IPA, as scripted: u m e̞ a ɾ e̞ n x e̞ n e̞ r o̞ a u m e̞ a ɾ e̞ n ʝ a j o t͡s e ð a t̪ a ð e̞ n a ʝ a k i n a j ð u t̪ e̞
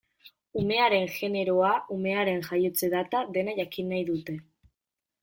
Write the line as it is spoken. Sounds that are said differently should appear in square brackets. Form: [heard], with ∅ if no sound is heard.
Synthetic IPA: u m e̞ a ɾ e̞ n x e̞ n e̞ [ɾ] o̞ a u m e̞ a ɾ e̞ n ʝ a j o t͡s e ð a t̪ a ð e̞ n a ʝ a k i n a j ð u t̪ e̞